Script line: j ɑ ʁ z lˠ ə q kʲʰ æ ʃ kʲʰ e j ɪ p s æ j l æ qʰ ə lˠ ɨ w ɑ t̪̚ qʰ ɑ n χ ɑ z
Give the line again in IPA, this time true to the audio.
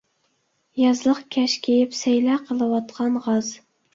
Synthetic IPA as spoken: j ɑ z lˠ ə q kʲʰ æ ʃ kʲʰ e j ɪ p s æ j l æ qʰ ə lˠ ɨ w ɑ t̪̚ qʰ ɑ n ʁ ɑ z

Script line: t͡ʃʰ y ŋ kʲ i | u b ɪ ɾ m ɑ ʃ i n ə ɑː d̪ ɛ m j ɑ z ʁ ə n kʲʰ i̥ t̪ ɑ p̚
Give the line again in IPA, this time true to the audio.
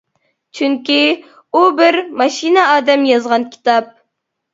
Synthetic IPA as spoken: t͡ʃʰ y ŋ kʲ i | u b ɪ ɾ m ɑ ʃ i n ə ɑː d̪ ɛ m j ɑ z ʁ ɑ n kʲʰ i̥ t̪ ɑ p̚

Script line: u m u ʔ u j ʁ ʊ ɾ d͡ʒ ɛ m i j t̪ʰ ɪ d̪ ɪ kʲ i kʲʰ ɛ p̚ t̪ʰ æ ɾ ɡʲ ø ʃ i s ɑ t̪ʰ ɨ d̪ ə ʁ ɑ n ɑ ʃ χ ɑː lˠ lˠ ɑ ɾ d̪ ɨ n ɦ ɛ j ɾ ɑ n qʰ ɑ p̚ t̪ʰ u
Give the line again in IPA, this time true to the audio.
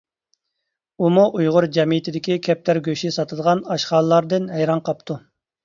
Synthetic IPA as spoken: u m u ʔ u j ʁ ʊ ɾ d͡ʒ ɛ m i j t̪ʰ ɪ d̪ ɪ kʲ i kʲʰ ɛ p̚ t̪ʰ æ ɾ ɡʲ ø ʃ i s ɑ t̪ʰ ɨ d̪ ə ʁ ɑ n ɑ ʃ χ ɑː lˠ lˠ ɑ ɾ d̪ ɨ n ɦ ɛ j ɾ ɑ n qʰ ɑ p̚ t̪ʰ u

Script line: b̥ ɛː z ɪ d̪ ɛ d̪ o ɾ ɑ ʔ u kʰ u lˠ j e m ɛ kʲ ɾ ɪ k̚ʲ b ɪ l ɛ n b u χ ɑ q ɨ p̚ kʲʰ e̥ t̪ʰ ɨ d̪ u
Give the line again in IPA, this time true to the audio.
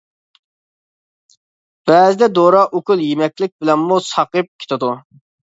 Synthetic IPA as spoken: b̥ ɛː z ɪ d̪ ɛ d̪ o ɾ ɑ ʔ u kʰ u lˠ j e m ɛ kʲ l ɪ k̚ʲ b ɪ l ɛ n m u s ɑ q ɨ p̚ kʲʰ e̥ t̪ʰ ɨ d̪ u

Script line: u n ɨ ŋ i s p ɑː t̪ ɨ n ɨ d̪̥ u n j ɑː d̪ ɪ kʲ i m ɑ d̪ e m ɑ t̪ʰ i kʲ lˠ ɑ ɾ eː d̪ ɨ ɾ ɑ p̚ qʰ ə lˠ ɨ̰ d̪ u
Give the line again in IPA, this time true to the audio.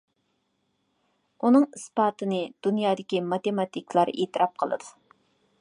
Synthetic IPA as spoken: u n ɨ ŋ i s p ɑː t̪ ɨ n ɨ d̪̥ u n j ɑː d̪ ɪ kʲ i m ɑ t̪ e m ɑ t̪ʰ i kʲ lˠ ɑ ɾ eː t̪ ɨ ɾ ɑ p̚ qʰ ə lˠ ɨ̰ d̪ u

